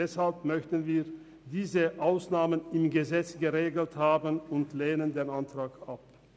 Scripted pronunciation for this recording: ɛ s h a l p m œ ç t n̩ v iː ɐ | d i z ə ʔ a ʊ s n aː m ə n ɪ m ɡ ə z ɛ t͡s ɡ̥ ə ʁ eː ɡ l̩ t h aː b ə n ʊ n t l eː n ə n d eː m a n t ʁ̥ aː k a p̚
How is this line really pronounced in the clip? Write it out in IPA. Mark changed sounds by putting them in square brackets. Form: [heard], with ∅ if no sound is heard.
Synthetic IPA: ɛ s h a l p m œ ç t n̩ v iː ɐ | d [iː] z ə ʔ a ʊ s n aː m ə n ɪ m ɡ ə z ɛ t͡s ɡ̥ ə ʁ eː ɡ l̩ t h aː b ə n ʊ n t l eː n ə n d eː [n] a n t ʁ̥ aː k a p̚